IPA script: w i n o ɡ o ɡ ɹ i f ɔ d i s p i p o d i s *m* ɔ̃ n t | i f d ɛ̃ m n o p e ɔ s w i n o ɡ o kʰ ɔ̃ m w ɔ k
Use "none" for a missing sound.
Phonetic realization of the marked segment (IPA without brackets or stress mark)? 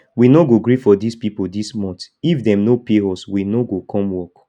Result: m